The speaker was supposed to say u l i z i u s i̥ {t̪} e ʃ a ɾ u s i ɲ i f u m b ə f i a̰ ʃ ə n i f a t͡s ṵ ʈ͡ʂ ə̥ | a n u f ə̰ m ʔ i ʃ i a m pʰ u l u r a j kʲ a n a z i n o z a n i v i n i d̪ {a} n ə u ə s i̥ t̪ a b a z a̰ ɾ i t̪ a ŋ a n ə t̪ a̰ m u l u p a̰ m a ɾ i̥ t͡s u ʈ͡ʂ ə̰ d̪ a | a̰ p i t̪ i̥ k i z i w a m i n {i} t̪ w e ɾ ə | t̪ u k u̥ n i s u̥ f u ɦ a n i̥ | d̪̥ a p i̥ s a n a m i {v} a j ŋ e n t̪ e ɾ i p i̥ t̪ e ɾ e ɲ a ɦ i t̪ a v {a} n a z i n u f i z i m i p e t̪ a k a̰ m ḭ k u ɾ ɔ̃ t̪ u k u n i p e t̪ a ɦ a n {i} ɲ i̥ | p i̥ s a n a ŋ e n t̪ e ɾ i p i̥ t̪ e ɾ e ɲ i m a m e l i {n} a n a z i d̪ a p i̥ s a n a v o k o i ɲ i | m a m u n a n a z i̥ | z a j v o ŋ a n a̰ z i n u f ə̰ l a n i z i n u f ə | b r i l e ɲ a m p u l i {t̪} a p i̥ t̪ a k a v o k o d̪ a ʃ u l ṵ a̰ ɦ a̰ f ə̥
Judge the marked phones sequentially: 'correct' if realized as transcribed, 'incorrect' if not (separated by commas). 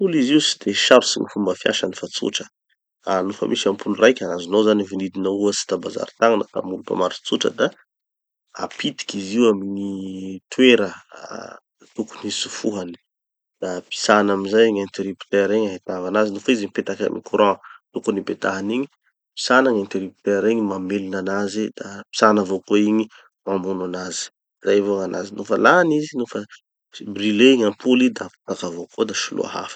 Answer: incorrect, incorrect, correct, incorrect, correct, correct, correct, incorrect